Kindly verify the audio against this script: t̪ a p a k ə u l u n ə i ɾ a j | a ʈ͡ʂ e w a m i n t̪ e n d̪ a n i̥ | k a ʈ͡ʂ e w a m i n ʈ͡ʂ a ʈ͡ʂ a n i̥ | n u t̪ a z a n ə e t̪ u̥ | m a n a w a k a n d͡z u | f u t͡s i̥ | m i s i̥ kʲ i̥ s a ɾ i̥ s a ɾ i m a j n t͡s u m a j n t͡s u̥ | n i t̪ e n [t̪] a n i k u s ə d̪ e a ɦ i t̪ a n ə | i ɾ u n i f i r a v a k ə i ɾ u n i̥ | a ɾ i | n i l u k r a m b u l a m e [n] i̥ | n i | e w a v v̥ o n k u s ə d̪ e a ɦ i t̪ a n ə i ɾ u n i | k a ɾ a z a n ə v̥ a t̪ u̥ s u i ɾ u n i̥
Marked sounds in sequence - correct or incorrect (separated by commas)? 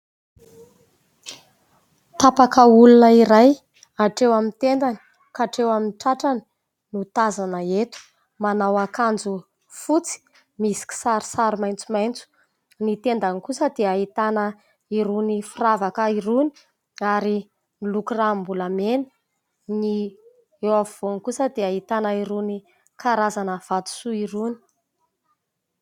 incorrect, correct